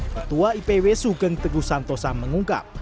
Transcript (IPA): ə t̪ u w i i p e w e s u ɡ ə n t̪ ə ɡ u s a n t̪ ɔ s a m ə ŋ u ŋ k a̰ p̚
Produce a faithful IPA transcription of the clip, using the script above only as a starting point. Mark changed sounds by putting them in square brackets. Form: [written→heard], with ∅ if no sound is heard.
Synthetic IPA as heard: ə t̪ u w [i→a] i p e w e s u ɡ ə [n→ŋ] t̪ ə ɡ u s a n t̪ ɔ s a m ə ŋ u ŋ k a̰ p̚